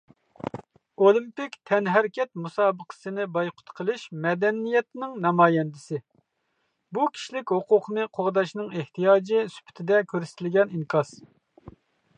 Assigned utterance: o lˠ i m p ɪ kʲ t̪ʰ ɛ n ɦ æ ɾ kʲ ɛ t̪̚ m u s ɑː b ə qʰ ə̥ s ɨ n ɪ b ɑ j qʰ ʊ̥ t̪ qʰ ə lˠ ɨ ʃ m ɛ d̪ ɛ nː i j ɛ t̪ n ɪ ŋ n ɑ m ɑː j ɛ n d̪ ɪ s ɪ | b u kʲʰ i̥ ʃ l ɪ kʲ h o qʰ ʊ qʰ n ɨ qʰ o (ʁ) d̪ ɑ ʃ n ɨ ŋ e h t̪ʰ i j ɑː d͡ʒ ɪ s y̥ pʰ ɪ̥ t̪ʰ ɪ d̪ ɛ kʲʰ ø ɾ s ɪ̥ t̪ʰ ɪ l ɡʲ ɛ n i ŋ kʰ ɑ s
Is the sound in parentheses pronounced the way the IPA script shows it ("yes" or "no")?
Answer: yes